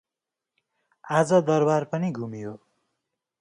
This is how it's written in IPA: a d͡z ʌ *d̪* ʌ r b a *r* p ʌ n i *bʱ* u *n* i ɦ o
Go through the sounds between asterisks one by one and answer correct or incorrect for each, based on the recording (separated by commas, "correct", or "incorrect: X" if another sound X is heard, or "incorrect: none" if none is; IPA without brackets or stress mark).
correct, correct, incorrect: ɡʱ, incorrect: m